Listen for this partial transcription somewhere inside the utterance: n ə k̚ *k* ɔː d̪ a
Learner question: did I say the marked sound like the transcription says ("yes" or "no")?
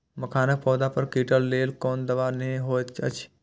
no